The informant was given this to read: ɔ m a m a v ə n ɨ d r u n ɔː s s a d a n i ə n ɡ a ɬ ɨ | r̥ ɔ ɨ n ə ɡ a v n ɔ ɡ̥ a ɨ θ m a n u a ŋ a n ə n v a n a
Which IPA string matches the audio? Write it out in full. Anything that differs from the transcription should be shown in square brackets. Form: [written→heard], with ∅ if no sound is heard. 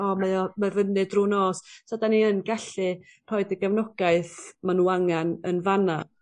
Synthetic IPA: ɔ m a m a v ə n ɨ d r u n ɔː s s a d a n i ə n ɡ a ɬ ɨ | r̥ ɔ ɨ [n→d] ə ɡ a v n ɔ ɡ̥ a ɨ θ m a n u a ŋ a n ə n v a n a